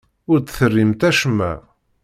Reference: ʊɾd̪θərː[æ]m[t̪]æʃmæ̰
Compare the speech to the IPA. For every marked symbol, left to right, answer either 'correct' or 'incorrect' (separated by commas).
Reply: incorrect, correct